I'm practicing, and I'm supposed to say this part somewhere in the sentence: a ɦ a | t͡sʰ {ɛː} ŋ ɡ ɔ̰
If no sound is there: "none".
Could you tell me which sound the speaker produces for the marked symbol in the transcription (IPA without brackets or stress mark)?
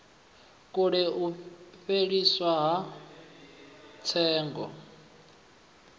ɛː